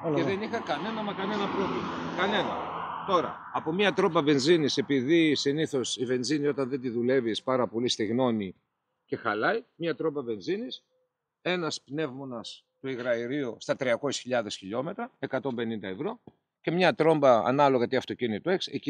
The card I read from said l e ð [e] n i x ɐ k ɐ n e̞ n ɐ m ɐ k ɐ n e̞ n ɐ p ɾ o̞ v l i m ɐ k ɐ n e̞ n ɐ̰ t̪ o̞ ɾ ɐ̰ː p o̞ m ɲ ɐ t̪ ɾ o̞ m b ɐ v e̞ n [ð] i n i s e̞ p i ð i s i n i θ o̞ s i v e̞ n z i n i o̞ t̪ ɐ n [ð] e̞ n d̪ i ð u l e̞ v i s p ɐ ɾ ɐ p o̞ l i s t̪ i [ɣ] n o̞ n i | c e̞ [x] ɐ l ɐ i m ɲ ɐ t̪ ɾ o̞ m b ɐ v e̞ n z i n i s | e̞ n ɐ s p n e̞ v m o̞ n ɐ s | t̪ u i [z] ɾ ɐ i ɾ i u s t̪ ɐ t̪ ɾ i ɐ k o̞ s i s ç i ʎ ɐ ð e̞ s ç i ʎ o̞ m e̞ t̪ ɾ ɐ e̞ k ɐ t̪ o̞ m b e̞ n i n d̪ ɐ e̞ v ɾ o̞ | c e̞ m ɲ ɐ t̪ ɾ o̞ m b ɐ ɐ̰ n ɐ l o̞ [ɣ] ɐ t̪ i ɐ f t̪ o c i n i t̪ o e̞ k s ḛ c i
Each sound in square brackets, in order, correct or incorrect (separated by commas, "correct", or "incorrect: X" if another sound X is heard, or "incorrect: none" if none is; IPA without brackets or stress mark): correct, incorrect: z, correct, correct, correct, incorrect: ɣ, correct